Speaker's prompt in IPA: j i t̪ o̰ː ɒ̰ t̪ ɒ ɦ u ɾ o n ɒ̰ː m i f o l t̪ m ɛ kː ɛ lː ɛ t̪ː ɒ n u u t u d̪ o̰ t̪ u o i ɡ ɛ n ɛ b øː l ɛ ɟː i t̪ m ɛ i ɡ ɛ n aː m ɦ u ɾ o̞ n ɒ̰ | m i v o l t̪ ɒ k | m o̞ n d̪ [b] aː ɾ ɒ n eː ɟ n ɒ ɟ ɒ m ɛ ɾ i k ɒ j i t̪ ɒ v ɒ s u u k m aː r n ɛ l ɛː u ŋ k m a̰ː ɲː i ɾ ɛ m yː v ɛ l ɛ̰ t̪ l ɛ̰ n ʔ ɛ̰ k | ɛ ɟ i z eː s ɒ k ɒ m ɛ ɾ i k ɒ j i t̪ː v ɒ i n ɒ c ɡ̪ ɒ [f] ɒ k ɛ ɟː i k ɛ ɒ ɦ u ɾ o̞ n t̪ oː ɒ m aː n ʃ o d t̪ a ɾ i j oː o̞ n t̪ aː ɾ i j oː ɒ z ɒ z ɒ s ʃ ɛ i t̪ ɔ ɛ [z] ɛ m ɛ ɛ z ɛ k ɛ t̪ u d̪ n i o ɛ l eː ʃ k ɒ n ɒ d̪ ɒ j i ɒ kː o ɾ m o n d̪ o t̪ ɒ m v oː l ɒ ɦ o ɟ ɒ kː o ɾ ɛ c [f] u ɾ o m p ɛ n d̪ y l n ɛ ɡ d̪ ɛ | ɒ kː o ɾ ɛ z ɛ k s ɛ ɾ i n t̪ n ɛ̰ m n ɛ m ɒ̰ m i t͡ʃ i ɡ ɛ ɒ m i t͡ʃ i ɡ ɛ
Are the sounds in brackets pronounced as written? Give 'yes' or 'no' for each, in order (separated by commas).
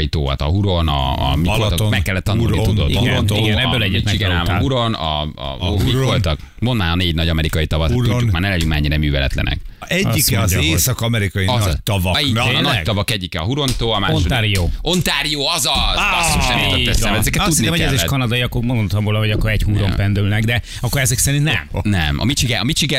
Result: no, no, no, no